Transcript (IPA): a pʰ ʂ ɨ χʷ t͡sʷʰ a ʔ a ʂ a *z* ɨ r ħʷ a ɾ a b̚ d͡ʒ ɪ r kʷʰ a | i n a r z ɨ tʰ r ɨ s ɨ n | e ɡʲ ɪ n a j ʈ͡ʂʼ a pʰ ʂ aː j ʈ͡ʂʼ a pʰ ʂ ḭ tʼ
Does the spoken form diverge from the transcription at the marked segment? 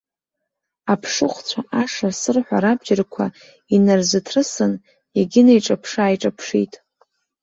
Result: yes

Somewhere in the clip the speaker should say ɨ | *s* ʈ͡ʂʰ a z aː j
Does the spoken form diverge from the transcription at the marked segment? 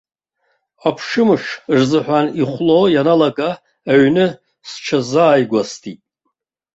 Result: no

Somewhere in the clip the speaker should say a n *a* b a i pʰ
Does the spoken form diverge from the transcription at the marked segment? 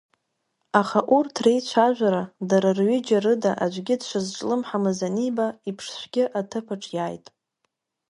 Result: yes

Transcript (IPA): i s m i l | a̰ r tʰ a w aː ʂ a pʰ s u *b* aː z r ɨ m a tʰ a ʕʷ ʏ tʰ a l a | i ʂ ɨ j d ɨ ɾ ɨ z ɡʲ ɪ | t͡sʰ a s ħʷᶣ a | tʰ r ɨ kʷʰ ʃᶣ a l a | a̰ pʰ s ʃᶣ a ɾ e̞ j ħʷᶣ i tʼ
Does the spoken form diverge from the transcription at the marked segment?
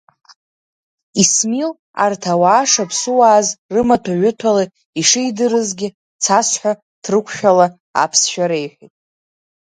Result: yes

